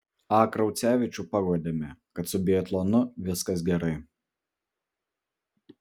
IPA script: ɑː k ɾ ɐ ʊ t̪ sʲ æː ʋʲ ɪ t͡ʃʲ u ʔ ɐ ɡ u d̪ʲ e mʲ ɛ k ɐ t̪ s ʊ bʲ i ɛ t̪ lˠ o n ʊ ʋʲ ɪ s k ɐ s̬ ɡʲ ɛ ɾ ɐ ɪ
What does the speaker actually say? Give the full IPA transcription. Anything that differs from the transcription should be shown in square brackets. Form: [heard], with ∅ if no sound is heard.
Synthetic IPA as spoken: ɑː k ɾ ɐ ʊ t̪ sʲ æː ʋʲ ɪ t͡ʃʲ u [p] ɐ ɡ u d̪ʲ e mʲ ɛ k ɐ t̪ s ʊ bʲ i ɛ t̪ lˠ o n ʊ ʋʲ ɪ s k ɐ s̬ ɡʲ ɛ ɾ ɐ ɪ